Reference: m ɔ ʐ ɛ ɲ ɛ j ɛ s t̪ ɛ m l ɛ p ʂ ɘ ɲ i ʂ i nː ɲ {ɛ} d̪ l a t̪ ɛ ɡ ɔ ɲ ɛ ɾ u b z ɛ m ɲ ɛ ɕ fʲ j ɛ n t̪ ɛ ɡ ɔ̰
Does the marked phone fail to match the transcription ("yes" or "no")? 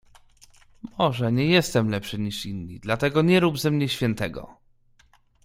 yes